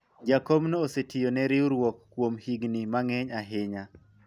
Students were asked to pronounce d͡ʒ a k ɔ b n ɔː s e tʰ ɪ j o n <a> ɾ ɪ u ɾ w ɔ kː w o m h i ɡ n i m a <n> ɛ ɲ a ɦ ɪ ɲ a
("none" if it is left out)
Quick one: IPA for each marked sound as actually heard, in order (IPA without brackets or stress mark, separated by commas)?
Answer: ɛ, ŋ